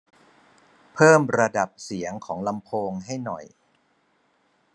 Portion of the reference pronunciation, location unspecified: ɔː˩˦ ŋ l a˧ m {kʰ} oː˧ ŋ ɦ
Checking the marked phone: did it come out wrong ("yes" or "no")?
yes